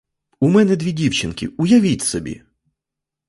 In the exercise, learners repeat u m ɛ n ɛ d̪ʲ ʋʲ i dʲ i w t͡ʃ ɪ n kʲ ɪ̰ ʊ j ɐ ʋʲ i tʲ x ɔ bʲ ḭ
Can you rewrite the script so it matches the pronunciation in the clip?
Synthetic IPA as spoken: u m ɛ n ɛ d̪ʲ ʋʲ i dʲ i w t͡ʃ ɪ n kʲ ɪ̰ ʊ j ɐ ʋʲ i tʲ s ɔ bʲ ḭ